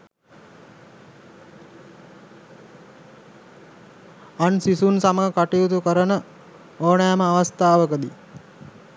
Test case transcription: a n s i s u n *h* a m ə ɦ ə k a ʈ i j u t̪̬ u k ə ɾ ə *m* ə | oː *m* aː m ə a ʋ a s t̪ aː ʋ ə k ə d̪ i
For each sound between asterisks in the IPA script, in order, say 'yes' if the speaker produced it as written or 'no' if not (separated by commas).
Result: no, no, no